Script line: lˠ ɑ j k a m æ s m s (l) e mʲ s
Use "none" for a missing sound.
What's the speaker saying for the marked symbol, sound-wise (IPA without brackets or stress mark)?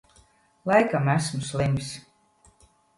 l